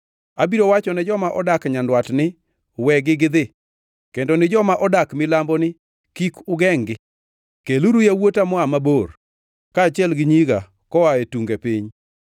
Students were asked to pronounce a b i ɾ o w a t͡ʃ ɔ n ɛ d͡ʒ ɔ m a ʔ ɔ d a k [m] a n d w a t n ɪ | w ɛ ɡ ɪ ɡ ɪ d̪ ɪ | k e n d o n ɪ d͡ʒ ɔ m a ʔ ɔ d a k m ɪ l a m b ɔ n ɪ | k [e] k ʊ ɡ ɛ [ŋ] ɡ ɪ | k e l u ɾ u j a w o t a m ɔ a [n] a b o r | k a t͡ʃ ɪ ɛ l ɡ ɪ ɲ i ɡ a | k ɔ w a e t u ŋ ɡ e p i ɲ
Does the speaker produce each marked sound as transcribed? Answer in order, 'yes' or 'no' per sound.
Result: no, no, yes, no

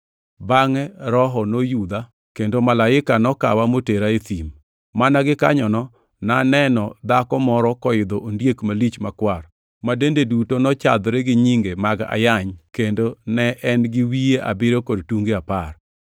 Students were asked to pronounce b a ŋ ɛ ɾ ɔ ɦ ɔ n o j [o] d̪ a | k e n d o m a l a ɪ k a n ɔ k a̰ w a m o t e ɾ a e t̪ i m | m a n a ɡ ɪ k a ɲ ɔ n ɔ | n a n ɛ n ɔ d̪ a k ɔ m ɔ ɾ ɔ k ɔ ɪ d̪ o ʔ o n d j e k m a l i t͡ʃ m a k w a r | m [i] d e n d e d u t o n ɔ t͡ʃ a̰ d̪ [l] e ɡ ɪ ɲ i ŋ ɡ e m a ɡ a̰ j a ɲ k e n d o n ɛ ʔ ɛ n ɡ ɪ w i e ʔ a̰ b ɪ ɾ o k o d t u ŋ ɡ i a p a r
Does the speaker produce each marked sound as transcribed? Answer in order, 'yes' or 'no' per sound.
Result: no, no, no

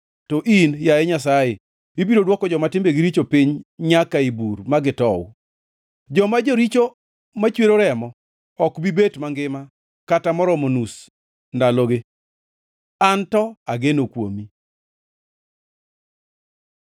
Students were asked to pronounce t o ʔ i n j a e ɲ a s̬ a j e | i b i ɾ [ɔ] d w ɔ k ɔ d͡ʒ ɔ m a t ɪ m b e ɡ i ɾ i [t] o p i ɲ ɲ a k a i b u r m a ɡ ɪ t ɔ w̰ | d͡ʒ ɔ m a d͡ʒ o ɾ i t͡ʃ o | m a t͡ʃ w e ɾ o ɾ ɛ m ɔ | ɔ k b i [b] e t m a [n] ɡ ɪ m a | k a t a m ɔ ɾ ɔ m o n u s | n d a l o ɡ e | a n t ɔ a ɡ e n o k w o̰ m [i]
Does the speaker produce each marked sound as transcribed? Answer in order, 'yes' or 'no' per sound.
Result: no, no, yes, no, yes

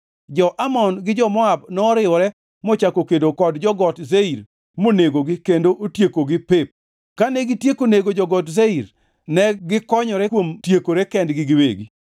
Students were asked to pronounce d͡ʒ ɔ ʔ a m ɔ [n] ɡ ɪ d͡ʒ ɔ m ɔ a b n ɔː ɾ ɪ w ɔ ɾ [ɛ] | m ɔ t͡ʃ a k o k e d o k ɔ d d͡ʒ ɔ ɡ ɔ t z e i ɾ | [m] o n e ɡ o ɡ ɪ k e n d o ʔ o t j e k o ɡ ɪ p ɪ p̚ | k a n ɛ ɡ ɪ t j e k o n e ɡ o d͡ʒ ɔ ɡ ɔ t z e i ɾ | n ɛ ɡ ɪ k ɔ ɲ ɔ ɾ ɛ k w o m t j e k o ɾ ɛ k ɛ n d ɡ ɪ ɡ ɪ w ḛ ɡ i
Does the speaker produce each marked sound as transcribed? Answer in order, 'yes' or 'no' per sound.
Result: yes, yes, yes

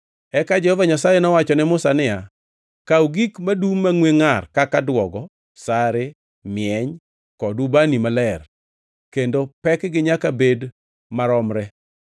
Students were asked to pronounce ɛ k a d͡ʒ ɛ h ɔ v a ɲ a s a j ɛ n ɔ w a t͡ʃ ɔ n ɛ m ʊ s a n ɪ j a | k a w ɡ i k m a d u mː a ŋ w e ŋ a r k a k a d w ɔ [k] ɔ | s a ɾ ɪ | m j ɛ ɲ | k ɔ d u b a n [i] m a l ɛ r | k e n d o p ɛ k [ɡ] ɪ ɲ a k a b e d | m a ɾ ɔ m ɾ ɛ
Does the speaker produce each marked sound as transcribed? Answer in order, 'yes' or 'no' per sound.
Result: no, yes, yes

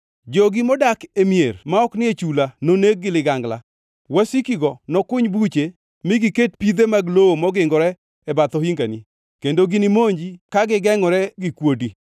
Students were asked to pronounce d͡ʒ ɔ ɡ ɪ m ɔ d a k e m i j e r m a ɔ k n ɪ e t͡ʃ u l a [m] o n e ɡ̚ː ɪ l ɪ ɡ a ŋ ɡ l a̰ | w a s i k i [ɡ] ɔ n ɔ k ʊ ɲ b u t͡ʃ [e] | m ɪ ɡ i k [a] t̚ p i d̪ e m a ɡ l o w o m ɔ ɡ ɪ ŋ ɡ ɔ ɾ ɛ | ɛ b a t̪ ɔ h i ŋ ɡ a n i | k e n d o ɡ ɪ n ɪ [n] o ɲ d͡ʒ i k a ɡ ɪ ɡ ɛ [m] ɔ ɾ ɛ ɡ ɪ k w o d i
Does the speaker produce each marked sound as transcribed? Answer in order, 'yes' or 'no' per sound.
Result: no, yes, yes, no, no, no

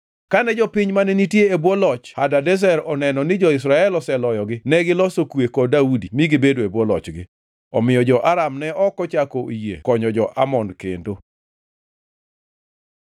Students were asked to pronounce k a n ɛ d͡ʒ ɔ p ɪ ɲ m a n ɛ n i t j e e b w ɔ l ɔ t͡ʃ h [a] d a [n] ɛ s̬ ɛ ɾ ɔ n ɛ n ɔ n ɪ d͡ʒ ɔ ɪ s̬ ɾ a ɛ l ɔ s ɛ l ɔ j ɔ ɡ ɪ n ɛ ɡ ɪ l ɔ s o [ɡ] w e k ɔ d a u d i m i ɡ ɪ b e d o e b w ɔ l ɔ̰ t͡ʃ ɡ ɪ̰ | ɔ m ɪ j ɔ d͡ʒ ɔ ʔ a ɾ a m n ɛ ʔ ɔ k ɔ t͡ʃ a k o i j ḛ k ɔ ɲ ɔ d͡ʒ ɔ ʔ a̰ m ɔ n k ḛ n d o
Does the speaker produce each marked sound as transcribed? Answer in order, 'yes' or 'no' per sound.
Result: yes, no, no

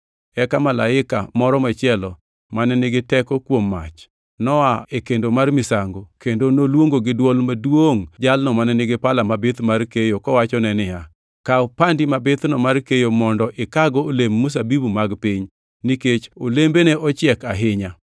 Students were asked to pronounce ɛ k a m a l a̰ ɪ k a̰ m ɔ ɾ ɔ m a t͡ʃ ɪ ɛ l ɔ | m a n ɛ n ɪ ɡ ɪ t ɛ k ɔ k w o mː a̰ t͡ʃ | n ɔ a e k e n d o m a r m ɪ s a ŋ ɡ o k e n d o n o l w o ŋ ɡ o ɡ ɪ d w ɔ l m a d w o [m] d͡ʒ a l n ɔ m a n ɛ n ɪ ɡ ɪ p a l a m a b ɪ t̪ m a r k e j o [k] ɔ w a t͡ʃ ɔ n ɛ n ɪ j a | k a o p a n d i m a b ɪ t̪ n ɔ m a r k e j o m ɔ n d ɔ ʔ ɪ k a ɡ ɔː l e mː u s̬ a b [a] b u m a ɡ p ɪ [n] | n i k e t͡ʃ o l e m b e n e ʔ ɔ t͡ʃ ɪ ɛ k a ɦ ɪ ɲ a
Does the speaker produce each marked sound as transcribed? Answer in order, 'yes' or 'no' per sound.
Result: no, yes, no, no

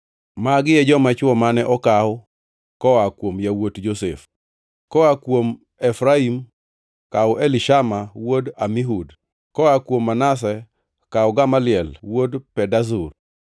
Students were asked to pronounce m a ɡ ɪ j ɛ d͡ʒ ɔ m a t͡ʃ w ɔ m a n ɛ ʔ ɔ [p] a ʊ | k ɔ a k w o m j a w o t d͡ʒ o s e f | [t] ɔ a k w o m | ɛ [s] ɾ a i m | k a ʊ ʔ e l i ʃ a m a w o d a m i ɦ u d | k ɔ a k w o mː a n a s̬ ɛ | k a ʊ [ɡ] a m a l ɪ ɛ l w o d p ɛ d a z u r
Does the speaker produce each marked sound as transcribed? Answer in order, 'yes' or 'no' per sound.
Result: no, no, no, yes

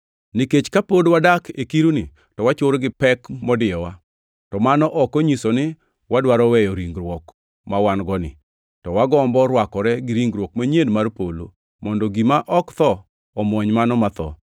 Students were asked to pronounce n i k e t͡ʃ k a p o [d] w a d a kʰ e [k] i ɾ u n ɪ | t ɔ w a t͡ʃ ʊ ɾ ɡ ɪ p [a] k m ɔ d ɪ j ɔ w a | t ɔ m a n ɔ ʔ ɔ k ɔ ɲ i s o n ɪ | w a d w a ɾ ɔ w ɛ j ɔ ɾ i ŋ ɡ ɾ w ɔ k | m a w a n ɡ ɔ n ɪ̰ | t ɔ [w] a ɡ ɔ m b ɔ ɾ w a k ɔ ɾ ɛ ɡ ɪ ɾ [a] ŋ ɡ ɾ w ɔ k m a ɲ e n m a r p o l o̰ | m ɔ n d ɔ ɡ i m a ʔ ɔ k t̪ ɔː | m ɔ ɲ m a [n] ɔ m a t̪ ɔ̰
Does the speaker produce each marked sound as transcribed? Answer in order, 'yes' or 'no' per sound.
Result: yes, yes, no, yes, no, yes

